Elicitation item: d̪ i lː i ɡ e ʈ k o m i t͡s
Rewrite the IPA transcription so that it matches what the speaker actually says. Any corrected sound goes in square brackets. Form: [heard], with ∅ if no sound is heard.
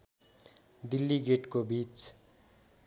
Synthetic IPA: d̪ i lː i ɡ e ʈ k o [b] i t͡s